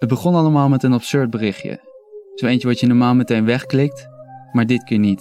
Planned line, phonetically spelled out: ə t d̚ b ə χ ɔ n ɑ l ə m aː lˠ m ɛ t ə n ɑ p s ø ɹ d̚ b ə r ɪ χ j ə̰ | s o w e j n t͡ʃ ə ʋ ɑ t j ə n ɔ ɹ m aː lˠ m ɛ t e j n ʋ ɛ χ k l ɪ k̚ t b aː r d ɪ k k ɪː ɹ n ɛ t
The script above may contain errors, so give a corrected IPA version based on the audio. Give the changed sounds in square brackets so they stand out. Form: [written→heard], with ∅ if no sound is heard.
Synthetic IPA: ə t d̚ b ə χ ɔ n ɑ l ə m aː lˠ m ɛ t ə n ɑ p s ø ɹ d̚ b ə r ɪ χ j ə̰ | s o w e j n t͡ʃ ə ʋ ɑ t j ə n ɔ ɹ m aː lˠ m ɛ t e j n ʋ ɛ χ k l ɪ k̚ t [b→m] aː [r→ɹ] d ɪ [k→t] k ɪː ɹ n [ɛ→i] t